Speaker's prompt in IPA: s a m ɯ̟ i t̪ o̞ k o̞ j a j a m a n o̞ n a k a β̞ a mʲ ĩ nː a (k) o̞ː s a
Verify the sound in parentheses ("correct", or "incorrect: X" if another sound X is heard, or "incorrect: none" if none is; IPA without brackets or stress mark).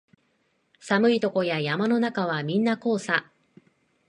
correct